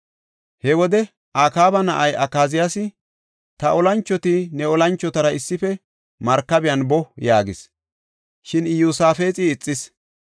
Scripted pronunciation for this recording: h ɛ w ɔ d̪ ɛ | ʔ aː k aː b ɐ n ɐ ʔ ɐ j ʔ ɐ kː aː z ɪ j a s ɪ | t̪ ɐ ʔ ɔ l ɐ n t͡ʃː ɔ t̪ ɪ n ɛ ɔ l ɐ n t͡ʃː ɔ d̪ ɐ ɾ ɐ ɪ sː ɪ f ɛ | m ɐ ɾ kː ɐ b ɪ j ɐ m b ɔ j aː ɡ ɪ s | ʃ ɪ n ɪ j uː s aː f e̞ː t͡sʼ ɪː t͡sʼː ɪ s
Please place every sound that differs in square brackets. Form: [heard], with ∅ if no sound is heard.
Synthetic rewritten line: h ɛ w ɔ d̪ ɛ | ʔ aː k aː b ɐ n ɐ ʔ ɐ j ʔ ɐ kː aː z ɪ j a s ɪ | t̪ ɐ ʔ ɔ l ɐ n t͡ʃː ɔ t̪ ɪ n ɛ ɔ l ɐ n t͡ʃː ɔ [t̪] ɐ ɾ ɐ ɪ sː ɪ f ɛ | m ɐ ɾ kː ɐ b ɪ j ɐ [n] b ɔ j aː ɡ ɪ s | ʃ ɪ n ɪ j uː s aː f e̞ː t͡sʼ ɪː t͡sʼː ɪ s